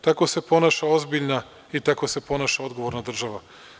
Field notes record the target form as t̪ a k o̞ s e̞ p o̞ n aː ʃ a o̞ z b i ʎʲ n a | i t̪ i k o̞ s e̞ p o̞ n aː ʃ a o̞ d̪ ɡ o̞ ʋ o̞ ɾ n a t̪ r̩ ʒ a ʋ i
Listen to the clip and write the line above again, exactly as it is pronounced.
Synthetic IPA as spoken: t̪ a k o̞ s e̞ p o̞ n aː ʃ a o̞ z b i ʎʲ n a | i t̪ a k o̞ s e̞ p o̞ n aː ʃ a o̞ d̪ ɡ o̞ ʋ o̞ ɾ n a d̪ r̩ ʒ a ʋ a